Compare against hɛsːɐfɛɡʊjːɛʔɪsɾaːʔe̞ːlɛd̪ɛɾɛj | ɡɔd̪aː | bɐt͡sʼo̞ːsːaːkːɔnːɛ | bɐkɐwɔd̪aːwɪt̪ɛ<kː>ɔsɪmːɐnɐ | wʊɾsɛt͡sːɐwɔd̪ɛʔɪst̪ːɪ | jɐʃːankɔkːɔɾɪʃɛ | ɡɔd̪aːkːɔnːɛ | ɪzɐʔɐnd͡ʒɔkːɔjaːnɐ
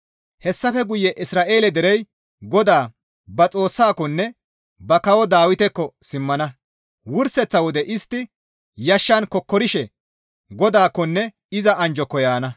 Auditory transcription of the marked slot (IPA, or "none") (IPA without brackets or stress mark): kː